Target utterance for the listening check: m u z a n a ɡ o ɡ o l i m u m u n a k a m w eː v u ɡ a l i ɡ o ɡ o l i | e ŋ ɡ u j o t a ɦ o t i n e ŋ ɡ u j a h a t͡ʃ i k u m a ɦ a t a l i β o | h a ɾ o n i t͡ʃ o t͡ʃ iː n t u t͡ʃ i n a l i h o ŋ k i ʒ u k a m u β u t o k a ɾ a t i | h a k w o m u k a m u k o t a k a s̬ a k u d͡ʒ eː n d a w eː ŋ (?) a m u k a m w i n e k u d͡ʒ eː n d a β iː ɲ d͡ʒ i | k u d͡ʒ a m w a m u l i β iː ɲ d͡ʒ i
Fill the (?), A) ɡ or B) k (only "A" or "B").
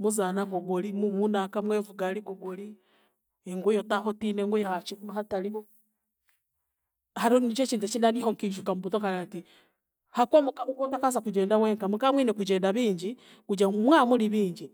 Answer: B